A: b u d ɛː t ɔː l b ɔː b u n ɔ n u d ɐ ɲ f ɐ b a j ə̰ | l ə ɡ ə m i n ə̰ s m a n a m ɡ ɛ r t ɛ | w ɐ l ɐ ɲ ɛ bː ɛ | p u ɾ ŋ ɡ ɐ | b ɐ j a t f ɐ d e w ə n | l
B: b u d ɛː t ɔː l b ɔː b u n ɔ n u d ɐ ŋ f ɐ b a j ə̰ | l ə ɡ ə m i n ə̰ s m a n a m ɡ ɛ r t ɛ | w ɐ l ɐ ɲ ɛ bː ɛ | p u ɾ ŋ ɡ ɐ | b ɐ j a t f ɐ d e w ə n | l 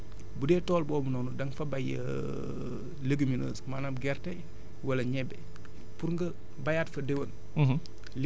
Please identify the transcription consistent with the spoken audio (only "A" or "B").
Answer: B